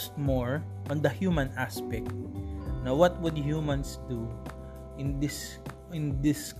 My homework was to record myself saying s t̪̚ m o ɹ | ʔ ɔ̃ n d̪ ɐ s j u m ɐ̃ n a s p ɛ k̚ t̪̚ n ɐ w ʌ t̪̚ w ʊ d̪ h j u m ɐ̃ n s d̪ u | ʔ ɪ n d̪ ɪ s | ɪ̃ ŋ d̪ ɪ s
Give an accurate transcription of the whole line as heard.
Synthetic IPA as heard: s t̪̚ m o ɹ | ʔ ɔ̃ n d̪ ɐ h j u m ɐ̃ n a s p ɛ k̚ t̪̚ n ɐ w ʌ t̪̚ w ʊ d̪ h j u m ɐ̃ n s d̪ u | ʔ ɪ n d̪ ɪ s | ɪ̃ n d̪ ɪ s